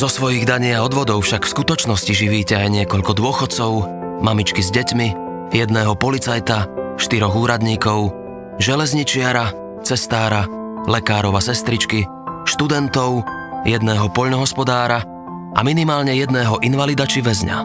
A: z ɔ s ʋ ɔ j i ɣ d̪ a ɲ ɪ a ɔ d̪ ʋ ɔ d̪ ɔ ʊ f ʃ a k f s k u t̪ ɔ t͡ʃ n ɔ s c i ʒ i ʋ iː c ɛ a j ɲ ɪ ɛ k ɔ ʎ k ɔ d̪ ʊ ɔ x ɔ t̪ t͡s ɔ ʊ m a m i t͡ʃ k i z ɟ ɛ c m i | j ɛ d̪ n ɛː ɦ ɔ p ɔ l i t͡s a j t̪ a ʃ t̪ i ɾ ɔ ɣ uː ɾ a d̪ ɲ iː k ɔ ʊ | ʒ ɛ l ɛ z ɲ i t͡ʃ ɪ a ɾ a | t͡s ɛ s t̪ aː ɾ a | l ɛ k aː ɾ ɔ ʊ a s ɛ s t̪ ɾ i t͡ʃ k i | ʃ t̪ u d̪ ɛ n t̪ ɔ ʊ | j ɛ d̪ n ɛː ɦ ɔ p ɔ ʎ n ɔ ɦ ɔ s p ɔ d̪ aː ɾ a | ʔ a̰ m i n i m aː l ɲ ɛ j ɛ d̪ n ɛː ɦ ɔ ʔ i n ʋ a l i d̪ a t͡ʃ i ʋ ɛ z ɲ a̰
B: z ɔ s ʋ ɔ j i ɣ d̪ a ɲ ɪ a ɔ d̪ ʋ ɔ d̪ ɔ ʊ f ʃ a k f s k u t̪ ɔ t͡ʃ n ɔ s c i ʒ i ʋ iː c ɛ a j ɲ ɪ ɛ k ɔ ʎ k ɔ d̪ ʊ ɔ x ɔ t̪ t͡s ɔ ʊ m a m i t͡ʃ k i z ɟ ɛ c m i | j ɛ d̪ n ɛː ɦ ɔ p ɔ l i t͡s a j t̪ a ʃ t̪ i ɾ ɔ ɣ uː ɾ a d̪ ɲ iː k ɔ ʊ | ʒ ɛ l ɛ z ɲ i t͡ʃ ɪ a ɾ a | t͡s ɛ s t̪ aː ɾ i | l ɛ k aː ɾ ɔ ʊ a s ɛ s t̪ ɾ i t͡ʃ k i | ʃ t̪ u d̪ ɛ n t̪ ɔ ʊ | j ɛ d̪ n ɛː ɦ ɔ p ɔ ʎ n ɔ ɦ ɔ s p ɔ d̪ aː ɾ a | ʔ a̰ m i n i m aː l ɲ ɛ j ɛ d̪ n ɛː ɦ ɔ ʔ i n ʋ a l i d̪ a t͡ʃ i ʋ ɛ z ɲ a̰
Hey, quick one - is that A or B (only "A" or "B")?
A